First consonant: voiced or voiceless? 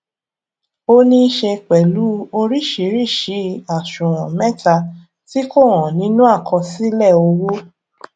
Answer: voiced